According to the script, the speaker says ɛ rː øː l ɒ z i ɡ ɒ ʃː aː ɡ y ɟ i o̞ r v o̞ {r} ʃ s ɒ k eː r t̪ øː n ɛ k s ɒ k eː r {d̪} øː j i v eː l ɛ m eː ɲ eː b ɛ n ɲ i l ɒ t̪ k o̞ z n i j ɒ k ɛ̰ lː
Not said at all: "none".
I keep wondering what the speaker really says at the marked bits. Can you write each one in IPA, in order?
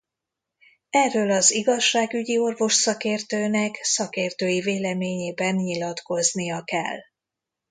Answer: none, t̪

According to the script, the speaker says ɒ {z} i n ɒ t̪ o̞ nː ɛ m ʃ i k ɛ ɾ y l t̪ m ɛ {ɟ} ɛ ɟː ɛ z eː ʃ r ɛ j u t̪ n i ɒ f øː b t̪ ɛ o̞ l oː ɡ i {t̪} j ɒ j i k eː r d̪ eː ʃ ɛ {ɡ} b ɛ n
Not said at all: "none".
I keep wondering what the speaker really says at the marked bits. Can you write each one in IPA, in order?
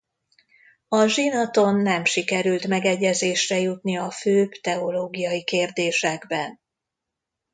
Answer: ʒ, ɡ, none, ɡ

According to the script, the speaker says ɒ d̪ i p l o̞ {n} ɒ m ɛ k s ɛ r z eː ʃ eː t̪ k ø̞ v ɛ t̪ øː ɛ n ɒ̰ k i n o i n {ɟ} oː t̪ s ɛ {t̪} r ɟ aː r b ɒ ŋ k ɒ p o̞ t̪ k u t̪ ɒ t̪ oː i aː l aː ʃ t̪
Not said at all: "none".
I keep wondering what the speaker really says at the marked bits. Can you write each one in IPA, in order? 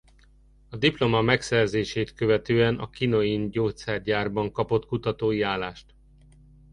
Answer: m, ɟ, none

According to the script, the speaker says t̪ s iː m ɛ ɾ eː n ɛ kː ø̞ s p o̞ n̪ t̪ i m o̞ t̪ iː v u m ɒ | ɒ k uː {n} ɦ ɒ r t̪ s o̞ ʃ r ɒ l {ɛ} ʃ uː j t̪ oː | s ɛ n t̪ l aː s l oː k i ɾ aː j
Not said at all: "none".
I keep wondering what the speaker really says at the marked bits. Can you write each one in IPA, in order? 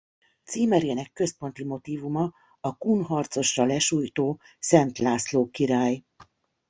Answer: n, ɛ

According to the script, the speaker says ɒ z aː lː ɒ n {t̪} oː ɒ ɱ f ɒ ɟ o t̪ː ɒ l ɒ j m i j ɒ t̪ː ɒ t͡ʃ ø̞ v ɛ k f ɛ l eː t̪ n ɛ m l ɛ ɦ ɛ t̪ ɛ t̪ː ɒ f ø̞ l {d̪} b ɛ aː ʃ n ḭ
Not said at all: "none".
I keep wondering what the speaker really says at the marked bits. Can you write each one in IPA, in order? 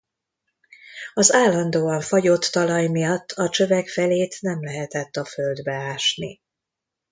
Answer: d̪, d̪

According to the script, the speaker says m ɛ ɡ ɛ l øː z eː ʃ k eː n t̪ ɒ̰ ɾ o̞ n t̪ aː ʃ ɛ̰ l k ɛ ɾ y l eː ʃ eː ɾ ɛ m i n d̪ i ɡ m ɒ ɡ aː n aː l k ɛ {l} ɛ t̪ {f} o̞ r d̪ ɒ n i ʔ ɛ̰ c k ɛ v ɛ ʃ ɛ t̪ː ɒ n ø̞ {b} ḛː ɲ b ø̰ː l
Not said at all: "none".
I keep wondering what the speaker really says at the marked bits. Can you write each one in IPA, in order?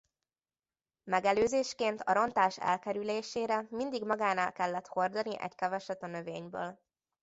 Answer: lː, h, v

